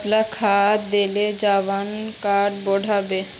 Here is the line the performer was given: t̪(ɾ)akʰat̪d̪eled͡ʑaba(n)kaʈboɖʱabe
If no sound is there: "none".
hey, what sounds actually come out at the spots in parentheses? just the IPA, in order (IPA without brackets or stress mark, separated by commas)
l, n